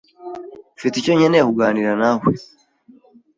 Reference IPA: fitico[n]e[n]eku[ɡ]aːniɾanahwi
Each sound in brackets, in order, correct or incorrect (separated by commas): incorrect, correct, correct